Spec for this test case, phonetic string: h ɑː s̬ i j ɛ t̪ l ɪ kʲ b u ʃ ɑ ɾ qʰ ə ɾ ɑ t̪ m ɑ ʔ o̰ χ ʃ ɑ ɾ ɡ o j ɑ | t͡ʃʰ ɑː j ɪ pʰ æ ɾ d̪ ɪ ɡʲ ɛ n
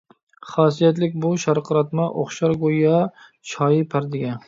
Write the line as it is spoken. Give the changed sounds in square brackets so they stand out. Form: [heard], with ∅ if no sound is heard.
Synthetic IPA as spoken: [χ] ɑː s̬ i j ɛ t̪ l ɪ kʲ b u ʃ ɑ ɾ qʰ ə ɾ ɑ t̪ m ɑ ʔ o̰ χ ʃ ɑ ɾ ɡ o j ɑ | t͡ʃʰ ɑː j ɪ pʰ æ ɾ d̪ ɪ ɡʲ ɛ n